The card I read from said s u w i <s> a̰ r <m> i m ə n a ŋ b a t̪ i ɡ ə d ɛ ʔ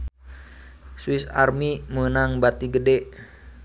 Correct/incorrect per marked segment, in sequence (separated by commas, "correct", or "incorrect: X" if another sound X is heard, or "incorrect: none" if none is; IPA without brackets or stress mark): correct, correct